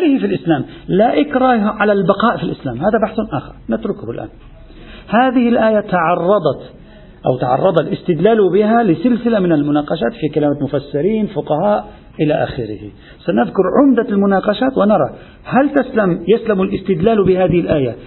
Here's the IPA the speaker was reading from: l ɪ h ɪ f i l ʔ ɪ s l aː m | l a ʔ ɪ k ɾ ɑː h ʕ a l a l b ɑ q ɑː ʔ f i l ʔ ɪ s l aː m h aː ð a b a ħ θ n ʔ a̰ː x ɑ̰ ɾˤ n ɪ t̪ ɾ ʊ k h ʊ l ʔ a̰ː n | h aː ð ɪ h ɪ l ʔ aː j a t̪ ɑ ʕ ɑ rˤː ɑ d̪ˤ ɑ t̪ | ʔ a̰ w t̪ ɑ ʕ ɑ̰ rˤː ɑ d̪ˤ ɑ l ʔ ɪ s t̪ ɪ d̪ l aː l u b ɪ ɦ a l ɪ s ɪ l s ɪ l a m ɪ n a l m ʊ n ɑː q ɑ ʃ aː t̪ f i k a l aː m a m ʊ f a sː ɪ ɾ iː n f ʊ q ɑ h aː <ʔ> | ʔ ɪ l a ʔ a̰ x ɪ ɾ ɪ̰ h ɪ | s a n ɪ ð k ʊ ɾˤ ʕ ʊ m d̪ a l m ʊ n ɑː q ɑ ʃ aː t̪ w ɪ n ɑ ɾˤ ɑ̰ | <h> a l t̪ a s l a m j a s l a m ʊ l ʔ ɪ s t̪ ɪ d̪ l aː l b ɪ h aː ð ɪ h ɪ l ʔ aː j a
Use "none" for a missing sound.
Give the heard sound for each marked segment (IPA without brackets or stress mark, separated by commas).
ʔ, h